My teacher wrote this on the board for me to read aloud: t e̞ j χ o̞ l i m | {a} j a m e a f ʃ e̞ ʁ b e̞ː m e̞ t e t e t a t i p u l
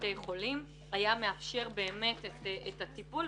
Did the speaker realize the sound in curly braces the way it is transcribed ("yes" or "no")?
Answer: yes